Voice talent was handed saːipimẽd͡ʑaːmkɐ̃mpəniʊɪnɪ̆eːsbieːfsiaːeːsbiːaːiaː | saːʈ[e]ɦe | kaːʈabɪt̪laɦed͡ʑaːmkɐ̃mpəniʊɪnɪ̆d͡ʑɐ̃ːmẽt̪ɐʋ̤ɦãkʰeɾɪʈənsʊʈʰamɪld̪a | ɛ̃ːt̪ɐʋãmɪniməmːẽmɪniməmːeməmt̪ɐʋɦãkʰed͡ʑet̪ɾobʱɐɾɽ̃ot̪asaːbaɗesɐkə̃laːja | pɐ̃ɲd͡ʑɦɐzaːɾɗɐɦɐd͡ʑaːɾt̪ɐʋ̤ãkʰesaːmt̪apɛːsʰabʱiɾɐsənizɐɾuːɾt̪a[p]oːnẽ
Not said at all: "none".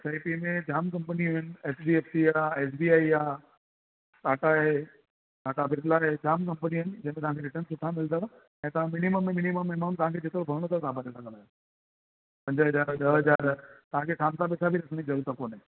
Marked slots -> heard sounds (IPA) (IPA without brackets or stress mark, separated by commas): a, k